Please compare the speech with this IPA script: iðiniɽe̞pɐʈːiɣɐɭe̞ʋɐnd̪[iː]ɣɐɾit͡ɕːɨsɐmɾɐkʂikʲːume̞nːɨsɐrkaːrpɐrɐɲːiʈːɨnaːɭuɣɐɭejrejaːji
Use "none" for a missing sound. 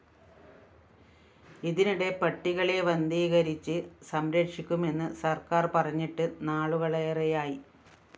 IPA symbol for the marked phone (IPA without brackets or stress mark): iː